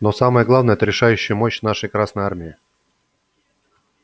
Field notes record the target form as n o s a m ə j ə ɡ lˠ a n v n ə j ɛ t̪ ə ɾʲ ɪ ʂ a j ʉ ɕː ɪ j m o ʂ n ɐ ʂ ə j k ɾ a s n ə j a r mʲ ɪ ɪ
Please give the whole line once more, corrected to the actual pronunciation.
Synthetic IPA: n o s a m ə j ə ɡ lˠ a v n ə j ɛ t̪ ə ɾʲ ɪ ʂ a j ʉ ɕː ɪ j m o ɕ n a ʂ ə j k ɾ a s n ə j a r mʲ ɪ ɪ